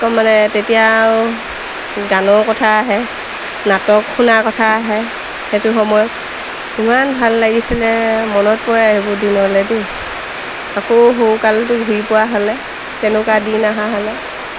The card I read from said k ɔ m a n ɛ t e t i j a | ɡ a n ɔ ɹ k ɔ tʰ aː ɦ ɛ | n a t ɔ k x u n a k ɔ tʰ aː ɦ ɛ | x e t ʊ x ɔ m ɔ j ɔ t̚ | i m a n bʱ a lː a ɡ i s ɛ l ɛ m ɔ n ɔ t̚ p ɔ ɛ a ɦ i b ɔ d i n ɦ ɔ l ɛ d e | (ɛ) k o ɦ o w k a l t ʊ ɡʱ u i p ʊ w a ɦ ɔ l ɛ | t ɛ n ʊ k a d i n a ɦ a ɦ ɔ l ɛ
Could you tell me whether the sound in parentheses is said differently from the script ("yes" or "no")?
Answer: yes